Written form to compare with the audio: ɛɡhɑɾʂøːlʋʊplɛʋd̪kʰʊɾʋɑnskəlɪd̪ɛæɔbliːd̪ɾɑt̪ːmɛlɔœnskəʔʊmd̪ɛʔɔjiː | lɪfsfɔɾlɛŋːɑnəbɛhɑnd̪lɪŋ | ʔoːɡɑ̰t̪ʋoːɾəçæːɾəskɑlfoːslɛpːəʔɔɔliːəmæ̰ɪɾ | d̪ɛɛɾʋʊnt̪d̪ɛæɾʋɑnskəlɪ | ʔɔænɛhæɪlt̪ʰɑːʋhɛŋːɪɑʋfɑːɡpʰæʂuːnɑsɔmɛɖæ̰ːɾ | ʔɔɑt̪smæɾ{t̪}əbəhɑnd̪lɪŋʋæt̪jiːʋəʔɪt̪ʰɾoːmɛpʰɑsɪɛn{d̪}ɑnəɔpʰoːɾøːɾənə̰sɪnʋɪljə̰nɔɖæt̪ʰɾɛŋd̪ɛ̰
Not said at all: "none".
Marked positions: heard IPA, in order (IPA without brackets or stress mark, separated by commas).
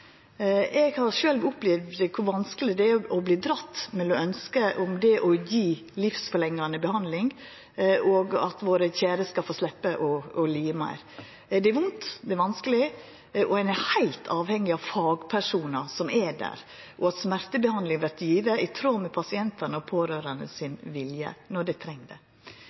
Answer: t̪, t̪